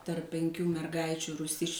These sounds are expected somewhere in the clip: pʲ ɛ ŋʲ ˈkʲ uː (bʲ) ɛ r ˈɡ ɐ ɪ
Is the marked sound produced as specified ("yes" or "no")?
no